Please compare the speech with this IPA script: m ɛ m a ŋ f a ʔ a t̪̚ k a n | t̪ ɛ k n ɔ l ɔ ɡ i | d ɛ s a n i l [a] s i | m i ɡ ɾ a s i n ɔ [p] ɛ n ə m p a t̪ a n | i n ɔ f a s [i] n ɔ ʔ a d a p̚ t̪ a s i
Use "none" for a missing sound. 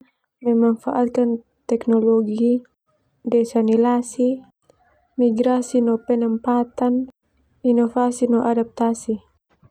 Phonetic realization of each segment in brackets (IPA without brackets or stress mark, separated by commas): a, p, i